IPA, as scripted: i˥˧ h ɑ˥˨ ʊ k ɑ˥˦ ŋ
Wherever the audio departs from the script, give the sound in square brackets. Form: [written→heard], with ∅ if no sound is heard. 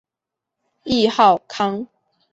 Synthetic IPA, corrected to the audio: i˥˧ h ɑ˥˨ ʊ [k→kʰ] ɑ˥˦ ŋ